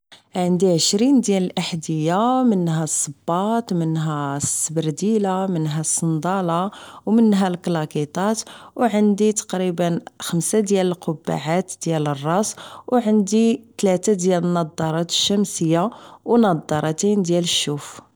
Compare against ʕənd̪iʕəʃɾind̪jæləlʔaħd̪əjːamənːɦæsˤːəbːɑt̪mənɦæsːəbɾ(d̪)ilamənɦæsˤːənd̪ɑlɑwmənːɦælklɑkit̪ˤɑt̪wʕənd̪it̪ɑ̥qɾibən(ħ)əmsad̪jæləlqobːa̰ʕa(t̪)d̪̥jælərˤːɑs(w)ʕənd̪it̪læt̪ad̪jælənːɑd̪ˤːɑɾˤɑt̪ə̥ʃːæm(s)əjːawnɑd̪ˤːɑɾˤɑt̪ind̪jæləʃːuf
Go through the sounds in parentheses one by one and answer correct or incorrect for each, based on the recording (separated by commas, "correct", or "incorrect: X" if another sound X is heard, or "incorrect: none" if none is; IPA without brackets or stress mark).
correct, incorrect: x, correct, correct, correct